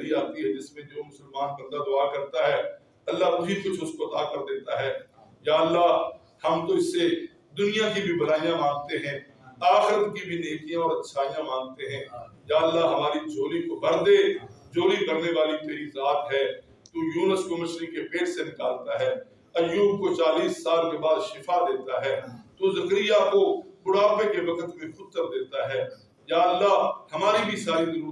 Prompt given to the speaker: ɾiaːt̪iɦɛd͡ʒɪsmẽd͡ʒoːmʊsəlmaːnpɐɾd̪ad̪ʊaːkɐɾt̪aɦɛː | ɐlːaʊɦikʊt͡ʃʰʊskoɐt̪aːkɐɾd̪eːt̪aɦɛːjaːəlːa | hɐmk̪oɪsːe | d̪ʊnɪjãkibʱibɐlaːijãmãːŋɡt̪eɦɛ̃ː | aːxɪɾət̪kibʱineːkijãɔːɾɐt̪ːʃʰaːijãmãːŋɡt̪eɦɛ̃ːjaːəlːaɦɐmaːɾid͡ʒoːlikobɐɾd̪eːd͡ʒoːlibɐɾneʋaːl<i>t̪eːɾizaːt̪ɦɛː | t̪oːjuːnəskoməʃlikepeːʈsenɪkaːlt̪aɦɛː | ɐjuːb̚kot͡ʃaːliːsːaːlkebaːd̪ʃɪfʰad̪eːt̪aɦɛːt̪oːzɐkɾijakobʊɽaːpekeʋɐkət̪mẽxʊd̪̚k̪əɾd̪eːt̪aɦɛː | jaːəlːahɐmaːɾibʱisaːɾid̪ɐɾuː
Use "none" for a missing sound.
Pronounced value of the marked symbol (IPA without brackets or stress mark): i